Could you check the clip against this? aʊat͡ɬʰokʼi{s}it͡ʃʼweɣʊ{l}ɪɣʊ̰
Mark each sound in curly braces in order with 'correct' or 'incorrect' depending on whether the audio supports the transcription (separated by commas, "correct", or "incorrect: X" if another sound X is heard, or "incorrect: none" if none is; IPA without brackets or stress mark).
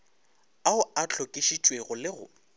incorrect: ʃ, correct